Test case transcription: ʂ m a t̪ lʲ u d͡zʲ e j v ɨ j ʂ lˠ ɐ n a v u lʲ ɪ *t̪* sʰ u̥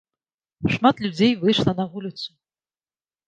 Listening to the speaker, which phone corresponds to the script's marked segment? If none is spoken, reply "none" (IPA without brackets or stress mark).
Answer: t̪